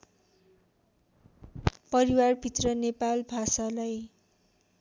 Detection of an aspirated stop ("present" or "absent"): absent